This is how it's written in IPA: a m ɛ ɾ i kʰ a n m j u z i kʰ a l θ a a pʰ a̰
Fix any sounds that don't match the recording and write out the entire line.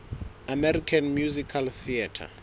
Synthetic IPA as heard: a m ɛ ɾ i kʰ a n m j u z i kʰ a l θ i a tʰ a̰